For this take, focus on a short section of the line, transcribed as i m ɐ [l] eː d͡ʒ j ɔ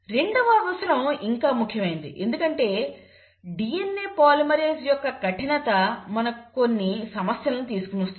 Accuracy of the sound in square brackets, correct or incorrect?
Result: incorrect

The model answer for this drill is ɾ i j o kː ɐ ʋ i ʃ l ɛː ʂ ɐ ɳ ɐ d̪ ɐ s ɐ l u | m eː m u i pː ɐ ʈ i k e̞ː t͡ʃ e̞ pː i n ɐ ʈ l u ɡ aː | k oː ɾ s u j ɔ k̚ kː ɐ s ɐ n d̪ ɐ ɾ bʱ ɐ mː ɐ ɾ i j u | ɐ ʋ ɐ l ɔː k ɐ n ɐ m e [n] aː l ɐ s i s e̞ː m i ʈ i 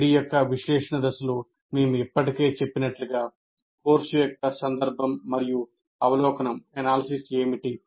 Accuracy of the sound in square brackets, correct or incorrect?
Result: correct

